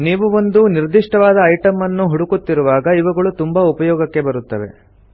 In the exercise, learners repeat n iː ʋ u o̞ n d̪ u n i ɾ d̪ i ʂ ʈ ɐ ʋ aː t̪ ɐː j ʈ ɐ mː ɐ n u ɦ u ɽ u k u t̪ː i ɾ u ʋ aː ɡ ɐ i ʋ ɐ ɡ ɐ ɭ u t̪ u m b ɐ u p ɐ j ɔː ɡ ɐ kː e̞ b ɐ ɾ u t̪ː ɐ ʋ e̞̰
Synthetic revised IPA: n iː ʋ u o̞ n d̪ u n i ɾ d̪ i ʂ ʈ ɐ ʋ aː d̪ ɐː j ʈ ɐ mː ɐ nː u ɦ u ɽ u k u t̪ː i ɾ u ʋ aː ɡ ɐ i ʋ ɐ ɡ ɐ ɭ u t̪ u m b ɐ u p ɐ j ɔː ɡ ɐ kː e̞ b ɐ ɾ u t̪ː ɐ ʋ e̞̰